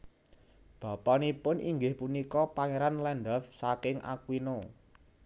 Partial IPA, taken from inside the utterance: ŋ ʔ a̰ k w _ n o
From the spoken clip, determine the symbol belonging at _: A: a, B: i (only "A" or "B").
B